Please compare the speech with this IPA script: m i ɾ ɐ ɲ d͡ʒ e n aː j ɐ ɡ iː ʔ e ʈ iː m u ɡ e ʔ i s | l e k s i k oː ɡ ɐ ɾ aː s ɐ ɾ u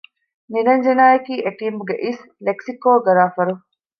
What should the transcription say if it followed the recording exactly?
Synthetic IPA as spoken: n i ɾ ɐ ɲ d͡ʒ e n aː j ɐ k iː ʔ e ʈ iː m u ɡ e ʔ i s | l e k s i k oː ɡ ɐ ɾ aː f ɐ ɾ u